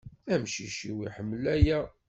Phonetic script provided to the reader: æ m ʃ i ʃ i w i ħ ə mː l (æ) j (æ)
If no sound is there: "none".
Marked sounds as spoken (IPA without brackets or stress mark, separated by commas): æ, æ